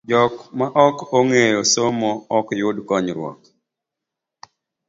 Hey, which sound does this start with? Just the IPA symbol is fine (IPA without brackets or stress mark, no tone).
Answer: d͡ʒ